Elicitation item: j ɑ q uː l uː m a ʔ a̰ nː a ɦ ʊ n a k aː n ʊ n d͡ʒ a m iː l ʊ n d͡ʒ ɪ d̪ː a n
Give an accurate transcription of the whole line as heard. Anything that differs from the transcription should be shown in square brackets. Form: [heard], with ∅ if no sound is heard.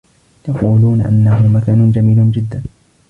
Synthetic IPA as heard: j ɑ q uː l uː [n] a ʔ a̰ nː a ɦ ʊ [m] a k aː n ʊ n d͡ʒ a m iː l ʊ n d͡ʒ ɪ d̪ː a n